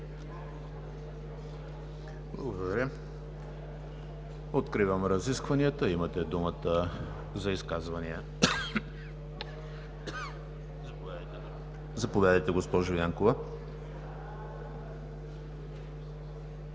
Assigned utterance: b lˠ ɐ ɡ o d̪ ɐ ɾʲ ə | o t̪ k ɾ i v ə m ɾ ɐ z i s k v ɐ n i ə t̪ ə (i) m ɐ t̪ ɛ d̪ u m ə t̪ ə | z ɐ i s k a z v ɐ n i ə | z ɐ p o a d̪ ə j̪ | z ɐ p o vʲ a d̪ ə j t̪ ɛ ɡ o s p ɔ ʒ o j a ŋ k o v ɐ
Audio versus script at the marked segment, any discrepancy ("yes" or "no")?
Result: no